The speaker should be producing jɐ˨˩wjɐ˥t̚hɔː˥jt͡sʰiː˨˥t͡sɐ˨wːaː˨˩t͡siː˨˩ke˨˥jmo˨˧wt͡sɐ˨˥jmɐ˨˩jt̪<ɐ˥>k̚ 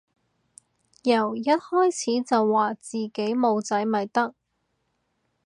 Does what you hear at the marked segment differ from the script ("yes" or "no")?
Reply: no